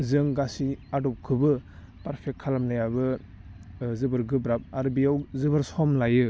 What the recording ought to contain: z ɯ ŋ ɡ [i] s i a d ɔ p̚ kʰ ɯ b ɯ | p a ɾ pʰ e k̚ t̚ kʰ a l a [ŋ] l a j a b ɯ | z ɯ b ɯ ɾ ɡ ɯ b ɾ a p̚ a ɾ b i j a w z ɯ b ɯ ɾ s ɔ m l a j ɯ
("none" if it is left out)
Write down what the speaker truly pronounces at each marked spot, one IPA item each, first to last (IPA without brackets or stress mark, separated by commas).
a, m